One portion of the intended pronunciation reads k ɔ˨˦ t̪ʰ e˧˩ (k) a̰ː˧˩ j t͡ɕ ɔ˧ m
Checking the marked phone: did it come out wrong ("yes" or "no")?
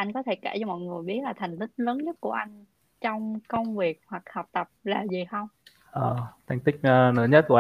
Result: no